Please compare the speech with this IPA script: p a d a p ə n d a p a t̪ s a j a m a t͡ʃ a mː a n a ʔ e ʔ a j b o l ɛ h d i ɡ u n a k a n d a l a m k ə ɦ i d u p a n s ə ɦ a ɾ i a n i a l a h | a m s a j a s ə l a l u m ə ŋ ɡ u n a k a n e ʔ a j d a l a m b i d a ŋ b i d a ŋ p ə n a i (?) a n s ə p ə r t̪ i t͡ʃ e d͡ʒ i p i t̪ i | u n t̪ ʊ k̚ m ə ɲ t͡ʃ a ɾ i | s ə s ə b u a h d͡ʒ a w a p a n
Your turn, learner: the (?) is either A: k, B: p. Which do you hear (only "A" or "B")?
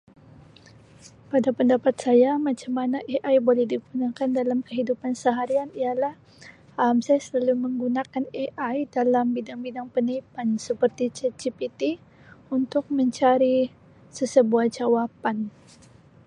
B